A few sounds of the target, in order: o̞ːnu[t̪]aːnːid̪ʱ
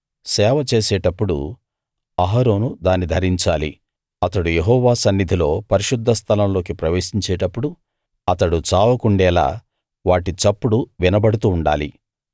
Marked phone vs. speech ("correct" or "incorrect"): incorrect